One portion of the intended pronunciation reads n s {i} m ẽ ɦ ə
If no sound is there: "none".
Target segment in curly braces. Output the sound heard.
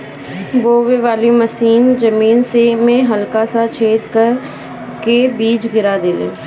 e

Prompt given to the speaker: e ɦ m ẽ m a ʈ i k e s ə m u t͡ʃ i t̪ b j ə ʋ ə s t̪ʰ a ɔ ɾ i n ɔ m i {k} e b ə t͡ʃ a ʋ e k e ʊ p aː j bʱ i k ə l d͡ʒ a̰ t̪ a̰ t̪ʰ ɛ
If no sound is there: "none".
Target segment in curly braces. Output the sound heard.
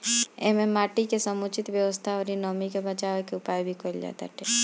k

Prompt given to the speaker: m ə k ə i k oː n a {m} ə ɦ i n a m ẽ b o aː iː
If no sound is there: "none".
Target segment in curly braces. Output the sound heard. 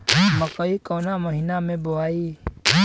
m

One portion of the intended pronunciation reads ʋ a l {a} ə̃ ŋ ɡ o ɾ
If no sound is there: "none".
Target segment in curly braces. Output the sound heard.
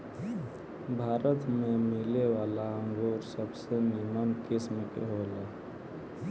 a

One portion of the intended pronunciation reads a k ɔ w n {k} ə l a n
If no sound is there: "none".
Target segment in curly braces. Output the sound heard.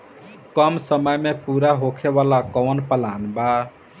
p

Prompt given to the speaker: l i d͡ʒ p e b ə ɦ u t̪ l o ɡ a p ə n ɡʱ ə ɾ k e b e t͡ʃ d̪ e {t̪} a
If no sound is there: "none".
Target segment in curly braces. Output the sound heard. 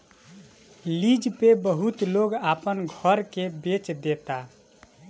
t̪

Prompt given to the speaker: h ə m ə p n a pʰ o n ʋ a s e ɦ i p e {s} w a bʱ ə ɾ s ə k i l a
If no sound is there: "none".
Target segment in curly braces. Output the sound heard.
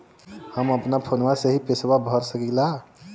s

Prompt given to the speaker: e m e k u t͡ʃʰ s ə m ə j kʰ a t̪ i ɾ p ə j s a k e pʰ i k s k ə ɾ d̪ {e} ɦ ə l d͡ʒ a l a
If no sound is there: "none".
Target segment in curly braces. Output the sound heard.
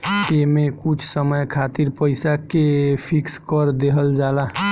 e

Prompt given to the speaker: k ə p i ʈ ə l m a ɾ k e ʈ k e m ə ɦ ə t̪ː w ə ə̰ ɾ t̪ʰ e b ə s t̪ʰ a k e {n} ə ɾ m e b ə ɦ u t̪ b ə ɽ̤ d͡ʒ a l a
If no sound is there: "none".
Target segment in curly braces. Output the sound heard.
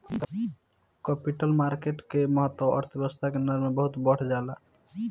n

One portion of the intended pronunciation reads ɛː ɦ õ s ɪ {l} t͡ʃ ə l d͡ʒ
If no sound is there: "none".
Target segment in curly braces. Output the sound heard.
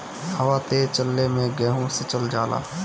none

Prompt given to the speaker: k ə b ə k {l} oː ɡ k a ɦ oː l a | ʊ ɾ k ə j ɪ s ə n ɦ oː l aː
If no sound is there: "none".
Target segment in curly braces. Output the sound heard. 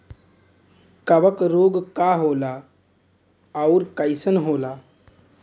ɾ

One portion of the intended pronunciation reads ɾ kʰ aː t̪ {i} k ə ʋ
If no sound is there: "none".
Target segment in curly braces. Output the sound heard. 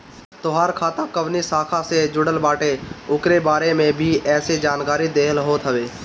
a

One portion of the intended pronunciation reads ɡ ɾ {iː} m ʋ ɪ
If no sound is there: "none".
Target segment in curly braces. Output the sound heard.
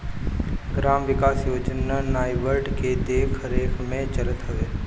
aː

